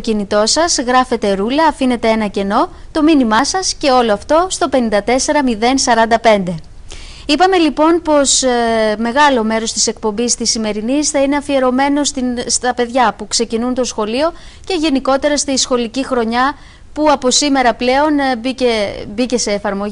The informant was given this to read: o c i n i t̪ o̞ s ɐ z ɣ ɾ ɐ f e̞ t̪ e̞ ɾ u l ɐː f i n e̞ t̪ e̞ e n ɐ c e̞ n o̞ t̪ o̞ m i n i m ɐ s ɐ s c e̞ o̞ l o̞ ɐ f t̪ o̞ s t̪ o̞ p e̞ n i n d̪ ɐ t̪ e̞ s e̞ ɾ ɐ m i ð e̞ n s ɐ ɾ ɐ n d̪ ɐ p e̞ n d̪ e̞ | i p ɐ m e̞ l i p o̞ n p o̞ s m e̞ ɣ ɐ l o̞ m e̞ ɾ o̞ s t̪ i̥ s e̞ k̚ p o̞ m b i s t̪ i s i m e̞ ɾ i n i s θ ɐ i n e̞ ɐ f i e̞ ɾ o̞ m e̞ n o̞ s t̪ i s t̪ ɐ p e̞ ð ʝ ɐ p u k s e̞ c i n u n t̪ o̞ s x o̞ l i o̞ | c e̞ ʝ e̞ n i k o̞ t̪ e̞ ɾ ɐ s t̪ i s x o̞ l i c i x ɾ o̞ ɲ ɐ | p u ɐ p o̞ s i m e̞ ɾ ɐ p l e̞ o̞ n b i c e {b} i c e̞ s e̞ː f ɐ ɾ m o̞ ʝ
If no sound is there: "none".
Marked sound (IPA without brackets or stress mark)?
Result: b